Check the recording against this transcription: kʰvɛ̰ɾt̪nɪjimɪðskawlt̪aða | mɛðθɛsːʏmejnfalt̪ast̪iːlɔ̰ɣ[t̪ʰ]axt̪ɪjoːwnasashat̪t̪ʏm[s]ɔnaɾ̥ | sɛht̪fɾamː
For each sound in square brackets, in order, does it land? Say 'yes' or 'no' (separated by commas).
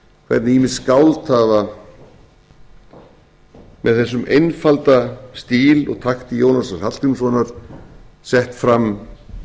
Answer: yes, yes